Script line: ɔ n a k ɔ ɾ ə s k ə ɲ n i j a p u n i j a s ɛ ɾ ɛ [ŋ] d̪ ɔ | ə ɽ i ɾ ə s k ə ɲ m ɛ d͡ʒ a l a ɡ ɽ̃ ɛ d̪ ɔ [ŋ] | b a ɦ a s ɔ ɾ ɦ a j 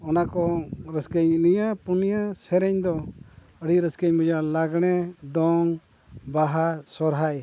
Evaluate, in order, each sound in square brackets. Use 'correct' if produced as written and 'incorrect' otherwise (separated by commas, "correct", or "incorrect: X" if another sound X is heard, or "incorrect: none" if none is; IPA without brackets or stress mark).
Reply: incorrect: ɲ, correct